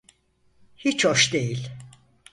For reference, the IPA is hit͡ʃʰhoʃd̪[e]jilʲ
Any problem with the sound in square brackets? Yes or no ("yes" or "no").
no